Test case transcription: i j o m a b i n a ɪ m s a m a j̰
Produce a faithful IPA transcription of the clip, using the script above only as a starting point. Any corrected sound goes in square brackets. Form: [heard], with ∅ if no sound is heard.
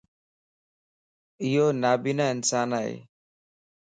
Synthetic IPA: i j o [n] a b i n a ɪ [n] s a [n] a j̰